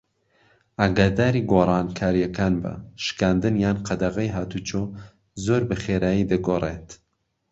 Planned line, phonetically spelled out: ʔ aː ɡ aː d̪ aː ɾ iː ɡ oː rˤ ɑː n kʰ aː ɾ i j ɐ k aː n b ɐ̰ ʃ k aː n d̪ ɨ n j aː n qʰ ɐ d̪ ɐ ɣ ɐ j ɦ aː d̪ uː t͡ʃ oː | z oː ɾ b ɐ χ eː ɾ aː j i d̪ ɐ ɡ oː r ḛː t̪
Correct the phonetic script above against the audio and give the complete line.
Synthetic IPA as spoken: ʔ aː ɡ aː d̪ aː ɾ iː ɡ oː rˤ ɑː n kʰ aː ɾ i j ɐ k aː n b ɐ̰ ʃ k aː n d̪ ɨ n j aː n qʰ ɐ d̪ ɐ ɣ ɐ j ɦ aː t̪ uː t͡ʃ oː | z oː ɾ b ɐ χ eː ɾ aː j i d̪ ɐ ɡ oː r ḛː t̪